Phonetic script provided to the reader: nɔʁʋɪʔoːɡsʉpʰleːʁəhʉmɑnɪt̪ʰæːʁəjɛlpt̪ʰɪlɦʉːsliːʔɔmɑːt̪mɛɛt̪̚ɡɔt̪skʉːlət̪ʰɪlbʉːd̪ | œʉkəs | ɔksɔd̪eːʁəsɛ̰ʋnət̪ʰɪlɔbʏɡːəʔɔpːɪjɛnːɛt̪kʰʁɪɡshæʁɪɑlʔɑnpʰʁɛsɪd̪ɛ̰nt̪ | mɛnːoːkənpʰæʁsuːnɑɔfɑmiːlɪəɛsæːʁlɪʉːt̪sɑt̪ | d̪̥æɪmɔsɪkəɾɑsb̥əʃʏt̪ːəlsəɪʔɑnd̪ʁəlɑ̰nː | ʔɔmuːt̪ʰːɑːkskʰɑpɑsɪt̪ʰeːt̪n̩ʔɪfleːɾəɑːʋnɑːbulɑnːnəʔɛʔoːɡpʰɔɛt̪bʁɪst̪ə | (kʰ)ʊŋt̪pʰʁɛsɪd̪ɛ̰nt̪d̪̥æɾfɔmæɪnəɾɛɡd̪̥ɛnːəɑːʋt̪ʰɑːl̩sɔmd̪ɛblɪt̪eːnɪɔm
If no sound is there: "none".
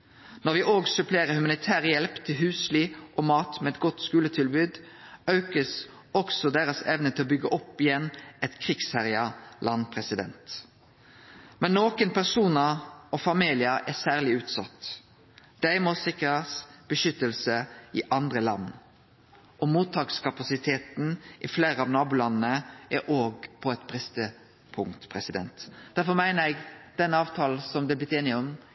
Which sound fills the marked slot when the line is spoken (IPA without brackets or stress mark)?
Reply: pʰ